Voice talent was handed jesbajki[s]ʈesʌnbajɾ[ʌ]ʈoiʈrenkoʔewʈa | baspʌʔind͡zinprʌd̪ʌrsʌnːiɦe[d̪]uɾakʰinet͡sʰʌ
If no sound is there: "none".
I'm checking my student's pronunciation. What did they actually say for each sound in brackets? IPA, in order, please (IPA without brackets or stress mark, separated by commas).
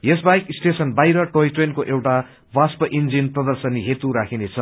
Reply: s, ʌ, t̪